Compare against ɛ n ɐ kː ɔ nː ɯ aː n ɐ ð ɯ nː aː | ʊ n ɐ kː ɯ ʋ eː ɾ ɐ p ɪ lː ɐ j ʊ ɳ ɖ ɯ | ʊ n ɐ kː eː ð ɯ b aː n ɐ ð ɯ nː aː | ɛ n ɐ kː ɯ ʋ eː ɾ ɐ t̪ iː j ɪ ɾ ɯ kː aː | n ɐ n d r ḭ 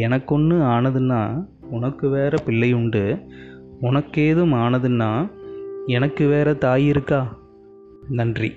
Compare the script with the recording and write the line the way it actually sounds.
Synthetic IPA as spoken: ɛ n ɐ kː ɔ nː ɯ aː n ɐ ð ɯ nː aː | ʊ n ɐ kː ɯ ʋ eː ɾ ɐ p ɪ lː ɐ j ʊ ɳ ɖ ɯ | ʊ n ɐ kː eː ð ɯ m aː n ɐ ð ɯ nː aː | ɛ n ɐ kː ɯ ʋ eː ɾ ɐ t̪ aː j ɪ ɾ ɯ kː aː | n ɐ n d r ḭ